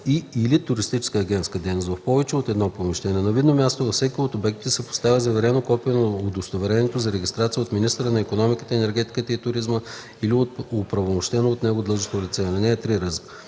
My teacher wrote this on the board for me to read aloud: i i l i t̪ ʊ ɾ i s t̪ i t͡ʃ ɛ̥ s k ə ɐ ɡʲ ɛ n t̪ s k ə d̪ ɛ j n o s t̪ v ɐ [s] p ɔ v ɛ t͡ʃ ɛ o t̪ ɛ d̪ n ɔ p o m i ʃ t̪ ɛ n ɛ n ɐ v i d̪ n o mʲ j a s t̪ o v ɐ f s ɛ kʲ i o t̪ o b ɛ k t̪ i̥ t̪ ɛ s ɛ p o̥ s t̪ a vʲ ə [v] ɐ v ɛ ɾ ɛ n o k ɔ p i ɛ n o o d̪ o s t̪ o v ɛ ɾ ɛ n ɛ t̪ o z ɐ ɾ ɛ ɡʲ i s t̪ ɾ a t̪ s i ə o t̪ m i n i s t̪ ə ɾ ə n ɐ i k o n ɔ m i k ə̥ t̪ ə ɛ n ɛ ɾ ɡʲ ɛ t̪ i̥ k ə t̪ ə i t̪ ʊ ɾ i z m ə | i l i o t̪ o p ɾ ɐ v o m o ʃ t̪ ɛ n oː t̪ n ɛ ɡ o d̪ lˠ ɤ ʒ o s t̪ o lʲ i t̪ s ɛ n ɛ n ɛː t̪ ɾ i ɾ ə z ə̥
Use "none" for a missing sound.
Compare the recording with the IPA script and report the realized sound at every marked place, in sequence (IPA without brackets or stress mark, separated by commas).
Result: f, z